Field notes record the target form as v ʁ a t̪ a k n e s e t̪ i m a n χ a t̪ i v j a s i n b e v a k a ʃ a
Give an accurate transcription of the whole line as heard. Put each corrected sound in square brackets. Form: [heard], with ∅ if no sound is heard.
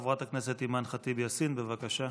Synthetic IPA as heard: v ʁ a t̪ a k n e s e t̪ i m a n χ a t̪ i [b] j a s i n b e v a k a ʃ a

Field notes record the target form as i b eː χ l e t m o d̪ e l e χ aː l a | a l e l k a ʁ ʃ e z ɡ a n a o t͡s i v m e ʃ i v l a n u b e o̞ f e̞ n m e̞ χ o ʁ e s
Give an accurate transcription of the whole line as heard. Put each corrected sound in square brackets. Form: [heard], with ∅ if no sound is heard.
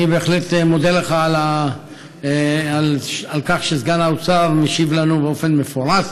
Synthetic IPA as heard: i b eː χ l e t m o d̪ e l e χ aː l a | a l [a] l k a [χ] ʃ e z ɡ a n a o t͡s [a] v m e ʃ i v l a n u b e o̞ f e̞ n m e̞ [f] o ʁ [a] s

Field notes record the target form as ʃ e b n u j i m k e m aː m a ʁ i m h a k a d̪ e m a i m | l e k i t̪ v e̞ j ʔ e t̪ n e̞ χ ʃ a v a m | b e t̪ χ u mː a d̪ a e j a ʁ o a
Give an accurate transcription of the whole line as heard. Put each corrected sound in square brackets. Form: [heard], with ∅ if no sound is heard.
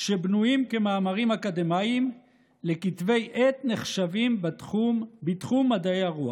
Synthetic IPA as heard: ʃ e b n u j i m k e m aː m a ʁ i m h a k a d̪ e m a i m | l e k i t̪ v e̞ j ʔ e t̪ n e̞ χ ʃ a v [i] m | b [i] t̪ χ u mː a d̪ a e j a ʁ [u] a

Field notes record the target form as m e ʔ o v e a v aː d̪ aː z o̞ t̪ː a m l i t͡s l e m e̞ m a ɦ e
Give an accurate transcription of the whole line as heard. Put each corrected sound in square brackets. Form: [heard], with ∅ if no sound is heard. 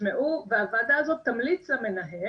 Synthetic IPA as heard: m e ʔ [u] v e a v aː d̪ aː z o̞ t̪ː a m l i t͡s l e m e̞ [n] a ɦ e

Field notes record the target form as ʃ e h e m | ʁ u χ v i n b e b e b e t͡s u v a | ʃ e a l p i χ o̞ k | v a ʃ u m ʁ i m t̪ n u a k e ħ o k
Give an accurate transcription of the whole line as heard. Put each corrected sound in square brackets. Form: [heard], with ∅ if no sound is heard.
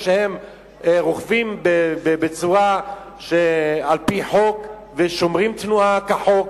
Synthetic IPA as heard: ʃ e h e m | ʁ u χ v i [m] b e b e b e t͡s u [ʁ] a | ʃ e a l p i [ħ] o̞ k | v [e] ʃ [o] m ʁ i m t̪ n u a k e ħ o k

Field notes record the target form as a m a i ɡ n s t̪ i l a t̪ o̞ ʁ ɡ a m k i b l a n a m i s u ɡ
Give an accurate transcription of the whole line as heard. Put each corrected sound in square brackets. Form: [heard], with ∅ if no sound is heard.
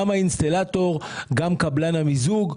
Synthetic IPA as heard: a m a i [∅] n s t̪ [a] l a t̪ o̞ ʁ ɡ a m k [a] b l a n a m i [z] u ɡ

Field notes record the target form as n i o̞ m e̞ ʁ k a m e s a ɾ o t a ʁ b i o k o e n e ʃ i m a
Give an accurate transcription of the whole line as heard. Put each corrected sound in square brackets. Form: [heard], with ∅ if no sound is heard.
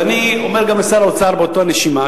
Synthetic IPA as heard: n i o̞ m e̞ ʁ [ɡ] a m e s a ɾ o [t͡s] a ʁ b [e] o [t] o [a] n e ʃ i m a

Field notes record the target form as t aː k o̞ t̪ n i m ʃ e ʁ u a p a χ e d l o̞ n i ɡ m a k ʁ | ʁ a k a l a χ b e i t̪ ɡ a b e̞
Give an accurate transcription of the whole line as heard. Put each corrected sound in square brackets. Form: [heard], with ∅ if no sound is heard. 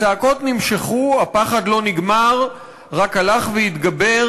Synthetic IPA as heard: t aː k o̞ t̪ n i m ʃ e [χ] u a p a χ [a] d l o̞ n i ɡ m a [∅] ʁ | ʁ a k a l a χ [v] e i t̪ ɡ a b e̞

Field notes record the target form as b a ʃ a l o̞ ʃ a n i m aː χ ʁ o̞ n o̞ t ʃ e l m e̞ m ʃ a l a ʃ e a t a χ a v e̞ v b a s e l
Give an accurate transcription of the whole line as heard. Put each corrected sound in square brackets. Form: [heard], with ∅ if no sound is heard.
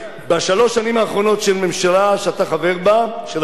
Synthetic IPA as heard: b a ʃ a l o̞ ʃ a n i m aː χ ʁ o̞ n o̞ t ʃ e l m e̞ m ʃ a l a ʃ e a t a χ a v e̞ [ʁ] b a [ʃ] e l

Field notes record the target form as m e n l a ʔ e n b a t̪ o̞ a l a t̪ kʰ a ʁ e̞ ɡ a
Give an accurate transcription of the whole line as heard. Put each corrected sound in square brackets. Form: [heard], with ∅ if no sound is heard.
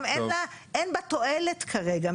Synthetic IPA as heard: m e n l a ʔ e n b a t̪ o̞ [e] l [e] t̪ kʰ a ʁ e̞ ɡ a

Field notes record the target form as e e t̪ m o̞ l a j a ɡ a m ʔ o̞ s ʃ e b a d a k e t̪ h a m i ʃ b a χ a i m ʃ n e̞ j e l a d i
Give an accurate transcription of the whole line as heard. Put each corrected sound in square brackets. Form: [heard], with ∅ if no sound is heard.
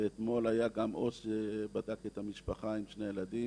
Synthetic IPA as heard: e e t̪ m o̞ l a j a ɡ a m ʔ o̞ s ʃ e b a d a k e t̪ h a m i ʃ [p] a χ a i m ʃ n e̞ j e l a d i

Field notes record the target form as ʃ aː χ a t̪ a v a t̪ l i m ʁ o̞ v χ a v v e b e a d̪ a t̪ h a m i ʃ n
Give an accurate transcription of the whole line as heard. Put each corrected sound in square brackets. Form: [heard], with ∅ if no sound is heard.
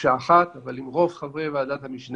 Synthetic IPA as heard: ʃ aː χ a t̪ a v a [∅] l i m ʁ o̞ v χ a v [ʁ] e [v] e a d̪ a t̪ h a m i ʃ n

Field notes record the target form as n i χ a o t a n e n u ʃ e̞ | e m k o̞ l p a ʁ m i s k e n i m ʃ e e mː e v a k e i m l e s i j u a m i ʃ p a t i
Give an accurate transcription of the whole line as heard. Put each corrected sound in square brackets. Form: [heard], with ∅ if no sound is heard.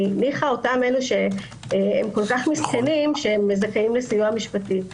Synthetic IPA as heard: n i χ a o t a [m] e n u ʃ e̞ | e m k o̞ l [k] a [χ] m i s k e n i m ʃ e e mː e [z] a k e i m l e s i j u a m i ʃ p a t i

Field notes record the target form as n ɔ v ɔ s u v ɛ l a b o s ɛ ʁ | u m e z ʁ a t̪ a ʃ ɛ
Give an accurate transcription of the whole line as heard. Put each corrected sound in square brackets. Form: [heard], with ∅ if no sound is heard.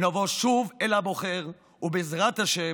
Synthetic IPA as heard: n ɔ v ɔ [ʃ] u v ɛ l a b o [χ] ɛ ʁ | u [b] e z ʁ a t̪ a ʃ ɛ

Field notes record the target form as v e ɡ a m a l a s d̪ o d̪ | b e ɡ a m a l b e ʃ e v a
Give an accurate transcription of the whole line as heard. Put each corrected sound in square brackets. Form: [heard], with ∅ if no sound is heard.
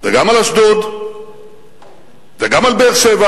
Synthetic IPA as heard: v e ɡ a m a l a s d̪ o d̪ | [v] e ɡ a m a l b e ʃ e v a

